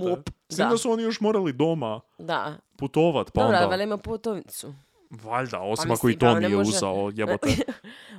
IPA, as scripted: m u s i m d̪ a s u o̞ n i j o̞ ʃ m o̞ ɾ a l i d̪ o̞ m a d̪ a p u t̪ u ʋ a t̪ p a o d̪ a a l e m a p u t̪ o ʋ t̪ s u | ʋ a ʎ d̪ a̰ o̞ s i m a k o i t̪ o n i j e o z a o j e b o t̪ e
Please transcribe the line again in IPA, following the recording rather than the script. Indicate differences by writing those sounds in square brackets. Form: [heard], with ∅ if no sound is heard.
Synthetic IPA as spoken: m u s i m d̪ a s u o̞ n i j o̞ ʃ m o̞ ɾ a l i d̪ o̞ m a d̪ a p u t̪ [o] ʋ a t̪ p a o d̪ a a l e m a p u t̪ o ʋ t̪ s u | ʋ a ʎ d̪ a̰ o̞ s i m a k o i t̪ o n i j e [u] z a o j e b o t̪ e